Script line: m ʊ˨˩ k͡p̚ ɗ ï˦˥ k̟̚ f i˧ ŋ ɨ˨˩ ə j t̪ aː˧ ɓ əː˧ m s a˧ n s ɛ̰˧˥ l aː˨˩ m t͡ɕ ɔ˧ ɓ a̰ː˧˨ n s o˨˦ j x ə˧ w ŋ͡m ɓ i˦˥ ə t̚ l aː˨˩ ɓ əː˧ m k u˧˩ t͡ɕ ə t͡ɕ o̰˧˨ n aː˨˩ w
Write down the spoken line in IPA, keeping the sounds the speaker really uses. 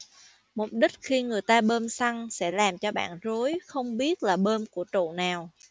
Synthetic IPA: m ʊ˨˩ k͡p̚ ɗ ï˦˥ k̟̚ x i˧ ŋ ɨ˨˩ ə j t̪ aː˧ ɓ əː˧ m s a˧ ŋ s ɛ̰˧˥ l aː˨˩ m t͡ɕ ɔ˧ ɓ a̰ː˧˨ n z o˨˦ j x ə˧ w ŋ͡m ɓ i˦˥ ə t̚ l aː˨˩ ɓ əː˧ m k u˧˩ ə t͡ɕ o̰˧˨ n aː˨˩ w